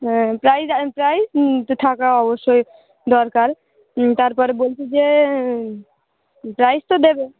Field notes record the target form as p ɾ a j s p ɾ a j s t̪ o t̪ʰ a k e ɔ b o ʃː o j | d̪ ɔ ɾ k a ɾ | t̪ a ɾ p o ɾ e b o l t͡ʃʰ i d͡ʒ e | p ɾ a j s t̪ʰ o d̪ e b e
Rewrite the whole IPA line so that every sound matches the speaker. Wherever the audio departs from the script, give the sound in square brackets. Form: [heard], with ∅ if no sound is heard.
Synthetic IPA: p ɾ a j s p ɾ a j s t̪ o t̪ʰ a k [a] ɔ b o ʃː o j | d̪ ɔ ɾ k a ɾ | t̪ a ɾ p [ɔ] ɾ e b o l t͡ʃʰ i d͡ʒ e | p ɾ a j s [t̪] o d̪ e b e